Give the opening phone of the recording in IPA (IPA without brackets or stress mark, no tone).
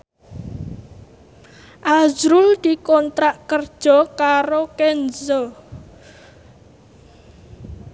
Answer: ʔ